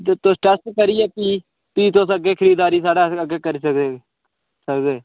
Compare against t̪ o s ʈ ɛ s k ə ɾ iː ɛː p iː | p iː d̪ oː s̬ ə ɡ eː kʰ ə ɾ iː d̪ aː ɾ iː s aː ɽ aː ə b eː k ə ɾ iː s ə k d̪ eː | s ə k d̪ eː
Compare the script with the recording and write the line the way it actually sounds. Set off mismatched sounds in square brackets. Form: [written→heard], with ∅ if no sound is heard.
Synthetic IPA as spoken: t̪ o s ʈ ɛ s k ə ɾ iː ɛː p iː | p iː [d̪→t̪] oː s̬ ə ɡ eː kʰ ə ɾ iː d̪ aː ɾ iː s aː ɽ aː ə [b→ɡ] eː k ə ɾ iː s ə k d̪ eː | s ə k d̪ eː